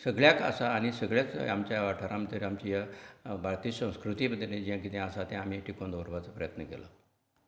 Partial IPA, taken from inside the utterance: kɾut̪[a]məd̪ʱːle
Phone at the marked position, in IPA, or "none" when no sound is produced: i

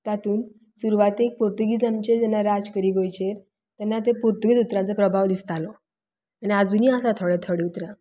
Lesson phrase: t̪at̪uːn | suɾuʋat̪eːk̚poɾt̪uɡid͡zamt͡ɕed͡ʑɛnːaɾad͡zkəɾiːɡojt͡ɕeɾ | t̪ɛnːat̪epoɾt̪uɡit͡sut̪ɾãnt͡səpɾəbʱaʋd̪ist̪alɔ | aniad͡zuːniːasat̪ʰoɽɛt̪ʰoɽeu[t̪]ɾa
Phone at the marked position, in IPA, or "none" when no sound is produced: t̪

